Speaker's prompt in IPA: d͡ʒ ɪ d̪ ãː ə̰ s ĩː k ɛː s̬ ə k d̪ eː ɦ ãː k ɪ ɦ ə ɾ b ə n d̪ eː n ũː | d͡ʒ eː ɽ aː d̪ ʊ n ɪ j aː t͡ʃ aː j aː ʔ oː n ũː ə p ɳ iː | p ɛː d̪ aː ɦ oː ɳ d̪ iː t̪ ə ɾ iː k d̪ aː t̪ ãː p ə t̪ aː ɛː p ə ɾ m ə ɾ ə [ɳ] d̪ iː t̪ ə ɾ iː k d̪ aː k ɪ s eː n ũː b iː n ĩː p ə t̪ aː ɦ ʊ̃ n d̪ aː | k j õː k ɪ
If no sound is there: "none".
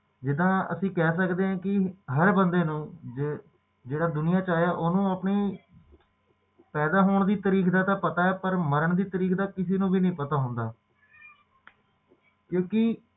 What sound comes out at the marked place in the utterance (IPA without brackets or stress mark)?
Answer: ɳ